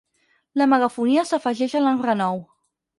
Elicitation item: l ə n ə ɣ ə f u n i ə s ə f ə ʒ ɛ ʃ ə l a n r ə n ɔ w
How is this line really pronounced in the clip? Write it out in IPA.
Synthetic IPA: l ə m ə ɣ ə f u n i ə s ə f ə ʒ ɛ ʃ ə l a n r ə n ɔ w